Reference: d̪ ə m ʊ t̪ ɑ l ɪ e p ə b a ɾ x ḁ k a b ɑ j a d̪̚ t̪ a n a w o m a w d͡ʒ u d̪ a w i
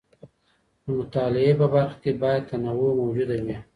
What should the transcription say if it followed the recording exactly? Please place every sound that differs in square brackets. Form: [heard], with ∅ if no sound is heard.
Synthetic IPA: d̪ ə m ʊ t̪ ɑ l ɪ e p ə b a ɾ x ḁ k [e] b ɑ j a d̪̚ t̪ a n a w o m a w d͡ʒ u d̪ a w i